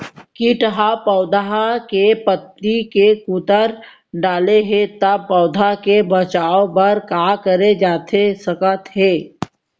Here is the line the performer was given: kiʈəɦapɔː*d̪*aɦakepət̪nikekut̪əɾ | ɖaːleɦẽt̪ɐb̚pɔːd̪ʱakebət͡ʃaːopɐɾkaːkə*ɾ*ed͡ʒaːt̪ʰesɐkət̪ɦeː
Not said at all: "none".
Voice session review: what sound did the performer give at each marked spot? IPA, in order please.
d̪, ɾ

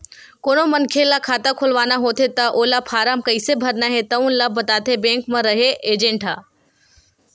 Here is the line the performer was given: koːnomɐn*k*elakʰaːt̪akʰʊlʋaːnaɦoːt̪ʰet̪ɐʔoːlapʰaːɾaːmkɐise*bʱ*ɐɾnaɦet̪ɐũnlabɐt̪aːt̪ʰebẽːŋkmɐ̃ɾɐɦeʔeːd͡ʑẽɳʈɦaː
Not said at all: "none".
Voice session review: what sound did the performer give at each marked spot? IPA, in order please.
kʰ, bʱ

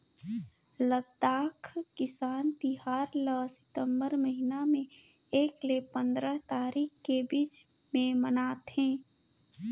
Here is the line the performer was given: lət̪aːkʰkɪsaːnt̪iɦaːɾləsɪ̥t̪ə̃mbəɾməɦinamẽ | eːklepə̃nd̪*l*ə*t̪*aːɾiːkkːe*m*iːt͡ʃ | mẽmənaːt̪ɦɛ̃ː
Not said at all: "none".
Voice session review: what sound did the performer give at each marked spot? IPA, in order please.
ɾ, t̪, b

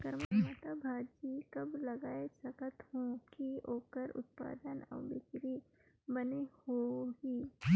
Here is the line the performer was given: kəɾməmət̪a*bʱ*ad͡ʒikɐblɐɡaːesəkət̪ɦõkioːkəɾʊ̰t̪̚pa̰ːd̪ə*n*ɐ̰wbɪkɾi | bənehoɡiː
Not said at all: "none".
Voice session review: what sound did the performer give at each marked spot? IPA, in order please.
bʱ, n

